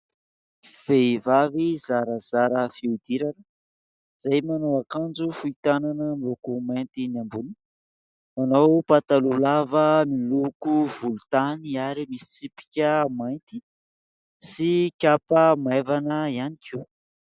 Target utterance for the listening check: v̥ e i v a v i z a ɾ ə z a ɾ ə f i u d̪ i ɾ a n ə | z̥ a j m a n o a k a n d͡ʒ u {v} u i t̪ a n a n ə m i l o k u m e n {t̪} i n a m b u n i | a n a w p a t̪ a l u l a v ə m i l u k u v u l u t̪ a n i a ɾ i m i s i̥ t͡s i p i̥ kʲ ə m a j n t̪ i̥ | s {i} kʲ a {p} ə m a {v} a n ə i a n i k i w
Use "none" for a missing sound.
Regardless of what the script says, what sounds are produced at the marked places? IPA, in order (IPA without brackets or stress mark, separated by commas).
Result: f, t̪, i, p, v